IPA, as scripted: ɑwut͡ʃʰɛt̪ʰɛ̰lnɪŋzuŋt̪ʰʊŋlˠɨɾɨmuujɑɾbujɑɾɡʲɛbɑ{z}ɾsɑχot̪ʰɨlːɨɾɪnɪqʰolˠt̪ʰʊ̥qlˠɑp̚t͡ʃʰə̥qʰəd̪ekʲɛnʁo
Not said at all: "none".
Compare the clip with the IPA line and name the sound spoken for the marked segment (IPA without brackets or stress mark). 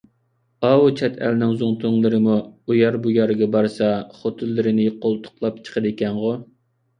none